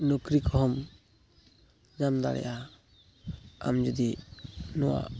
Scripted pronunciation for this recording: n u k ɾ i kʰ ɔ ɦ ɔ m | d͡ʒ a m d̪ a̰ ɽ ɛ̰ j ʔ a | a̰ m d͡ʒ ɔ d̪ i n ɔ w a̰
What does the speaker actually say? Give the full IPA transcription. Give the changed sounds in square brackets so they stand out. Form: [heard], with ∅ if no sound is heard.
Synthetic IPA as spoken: n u k ɾ i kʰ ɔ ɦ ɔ m | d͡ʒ a m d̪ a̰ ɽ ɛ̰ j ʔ a | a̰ m d͡ʒ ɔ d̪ i n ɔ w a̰